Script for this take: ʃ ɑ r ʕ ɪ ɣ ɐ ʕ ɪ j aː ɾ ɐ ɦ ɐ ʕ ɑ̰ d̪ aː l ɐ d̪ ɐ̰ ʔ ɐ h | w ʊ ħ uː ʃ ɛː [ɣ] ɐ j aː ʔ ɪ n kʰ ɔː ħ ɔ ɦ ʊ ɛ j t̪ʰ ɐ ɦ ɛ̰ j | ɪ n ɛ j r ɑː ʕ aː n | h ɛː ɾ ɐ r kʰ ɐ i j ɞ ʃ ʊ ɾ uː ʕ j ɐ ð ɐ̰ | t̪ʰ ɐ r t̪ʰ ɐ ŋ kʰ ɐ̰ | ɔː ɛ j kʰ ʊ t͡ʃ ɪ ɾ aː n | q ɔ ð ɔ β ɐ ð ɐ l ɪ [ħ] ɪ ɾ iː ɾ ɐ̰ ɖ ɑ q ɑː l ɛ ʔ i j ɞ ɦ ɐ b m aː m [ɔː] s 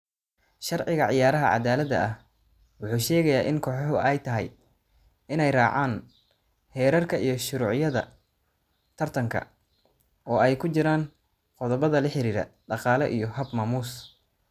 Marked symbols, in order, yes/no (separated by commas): yes, yes, no